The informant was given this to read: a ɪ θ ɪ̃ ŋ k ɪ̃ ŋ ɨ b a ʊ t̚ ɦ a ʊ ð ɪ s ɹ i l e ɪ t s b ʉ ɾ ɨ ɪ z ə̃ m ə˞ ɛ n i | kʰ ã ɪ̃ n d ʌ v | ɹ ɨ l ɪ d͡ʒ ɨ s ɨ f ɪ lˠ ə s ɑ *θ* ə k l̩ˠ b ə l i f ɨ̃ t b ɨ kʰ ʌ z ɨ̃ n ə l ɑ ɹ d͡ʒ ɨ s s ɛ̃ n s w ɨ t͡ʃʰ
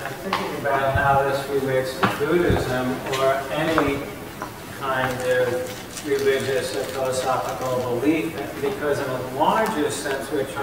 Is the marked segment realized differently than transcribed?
yes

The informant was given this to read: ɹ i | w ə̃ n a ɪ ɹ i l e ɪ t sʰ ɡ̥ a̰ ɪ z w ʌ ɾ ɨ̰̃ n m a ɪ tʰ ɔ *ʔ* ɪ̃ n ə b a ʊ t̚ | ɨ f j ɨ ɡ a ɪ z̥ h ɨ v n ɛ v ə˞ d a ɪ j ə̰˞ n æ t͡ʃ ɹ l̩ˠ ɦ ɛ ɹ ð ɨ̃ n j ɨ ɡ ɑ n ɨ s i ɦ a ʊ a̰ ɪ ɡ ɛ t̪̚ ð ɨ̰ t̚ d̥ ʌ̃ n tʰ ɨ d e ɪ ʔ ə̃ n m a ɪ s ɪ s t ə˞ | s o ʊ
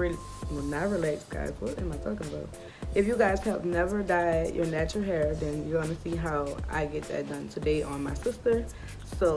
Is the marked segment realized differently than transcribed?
yes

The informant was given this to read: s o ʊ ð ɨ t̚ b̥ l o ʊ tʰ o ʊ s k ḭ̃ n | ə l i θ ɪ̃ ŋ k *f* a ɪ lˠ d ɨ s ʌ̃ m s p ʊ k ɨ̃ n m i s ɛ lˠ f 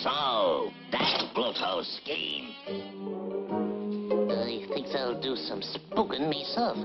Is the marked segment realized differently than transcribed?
yes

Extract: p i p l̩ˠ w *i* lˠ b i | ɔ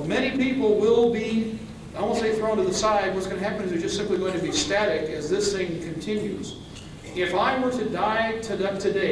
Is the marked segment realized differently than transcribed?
yes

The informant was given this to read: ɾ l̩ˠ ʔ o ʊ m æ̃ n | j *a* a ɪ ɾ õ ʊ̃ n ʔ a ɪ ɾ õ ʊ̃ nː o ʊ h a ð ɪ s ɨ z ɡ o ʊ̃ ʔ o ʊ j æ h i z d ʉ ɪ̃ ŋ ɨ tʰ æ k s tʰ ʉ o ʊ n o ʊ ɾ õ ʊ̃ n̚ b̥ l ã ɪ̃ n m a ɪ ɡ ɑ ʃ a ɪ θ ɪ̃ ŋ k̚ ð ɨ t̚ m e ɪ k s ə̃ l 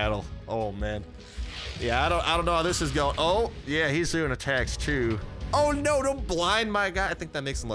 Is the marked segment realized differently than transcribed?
yes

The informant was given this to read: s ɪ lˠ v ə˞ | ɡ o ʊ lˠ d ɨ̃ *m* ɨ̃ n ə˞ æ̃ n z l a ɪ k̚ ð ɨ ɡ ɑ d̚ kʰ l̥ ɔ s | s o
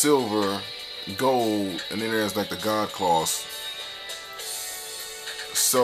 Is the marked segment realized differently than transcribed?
yes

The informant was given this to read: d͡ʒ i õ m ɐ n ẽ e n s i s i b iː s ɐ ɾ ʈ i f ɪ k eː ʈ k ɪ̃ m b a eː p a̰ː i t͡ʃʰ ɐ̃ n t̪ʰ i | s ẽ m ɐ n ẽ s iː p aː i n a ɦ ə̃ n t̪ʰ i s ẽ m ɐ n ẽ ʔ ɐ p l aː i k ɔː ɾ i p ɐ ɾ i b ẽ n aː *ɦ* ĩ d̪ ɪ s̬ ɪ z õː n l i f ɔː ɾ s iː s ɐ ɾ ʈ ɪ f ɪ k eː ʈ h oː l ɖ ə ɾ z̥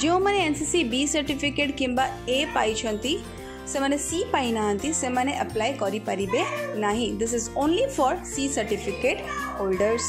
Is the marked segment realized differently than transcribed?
no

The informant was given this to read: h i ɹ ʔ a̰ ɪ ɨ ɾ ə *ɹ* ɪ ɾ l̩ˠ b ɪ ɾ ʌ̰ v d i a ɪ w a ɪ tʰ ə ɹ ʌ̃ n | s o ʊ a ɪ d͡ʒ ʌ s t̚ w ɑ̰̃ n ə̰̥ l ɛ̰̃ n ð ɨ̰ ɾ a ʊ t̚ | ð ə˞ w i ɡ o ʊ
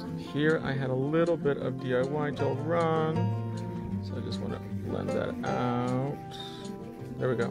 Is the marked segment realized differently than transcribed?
yes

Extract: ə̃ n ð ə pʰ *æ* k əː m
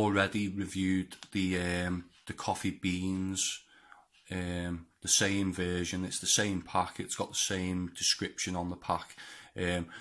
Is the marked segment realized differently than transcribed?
yes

